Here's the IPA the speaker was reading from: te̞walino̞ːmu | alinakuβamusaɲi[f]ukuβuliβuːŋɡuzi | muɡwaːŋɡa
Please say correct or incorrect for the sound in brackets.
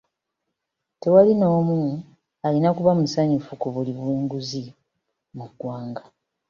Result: correct